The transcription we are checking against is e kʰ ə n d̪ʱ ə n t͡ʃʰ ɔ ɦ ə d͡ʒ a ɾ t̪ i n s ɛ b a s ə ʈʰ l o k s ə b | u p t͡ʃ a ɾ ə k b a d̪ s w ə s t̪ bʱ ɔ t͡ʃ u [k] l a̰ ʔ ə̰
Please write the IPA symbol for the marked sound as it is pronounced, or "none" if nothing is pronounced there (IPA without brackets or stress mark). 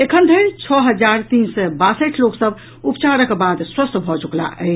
k